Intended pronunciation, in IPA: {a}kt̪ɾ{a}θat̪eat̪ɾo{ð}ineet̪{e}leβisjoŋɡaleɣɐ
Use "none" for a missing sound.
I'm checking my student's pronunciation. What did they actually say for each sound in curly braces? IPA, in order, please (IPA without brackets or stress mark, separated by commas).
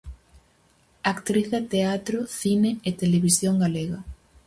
a, i, θ, e